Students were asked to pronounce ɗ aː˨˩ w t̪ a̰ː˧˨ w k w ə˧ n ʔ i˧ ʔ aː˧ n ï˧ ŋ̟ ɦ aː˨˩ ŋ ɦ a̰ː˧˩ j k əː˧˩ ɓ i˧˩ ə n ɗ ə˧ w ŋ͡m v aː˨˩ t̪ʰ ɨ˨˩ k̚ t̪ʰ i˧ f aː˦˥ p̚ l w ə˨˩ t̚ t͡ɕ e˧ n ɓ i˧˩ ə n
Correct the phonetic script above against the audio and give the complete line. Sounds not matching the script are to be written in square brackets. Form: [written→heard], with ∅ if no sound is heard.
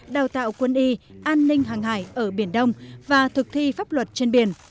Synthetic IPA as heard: ɗ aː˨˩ w t̪ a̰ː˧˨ w k w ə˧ n ʔ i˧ ʔ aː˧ [n→nː] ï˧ ŋ̟ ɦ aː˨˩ ŋ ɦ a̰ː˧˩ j [k→ʔ] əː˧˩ ɓ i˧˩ ə n ɗ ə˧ w ŋ͡m v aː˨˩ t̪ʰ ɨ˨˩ k̚ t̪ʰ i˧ f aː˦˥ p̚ l w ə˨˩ t̚ t͡ɕ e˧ n ɓ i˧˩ ə n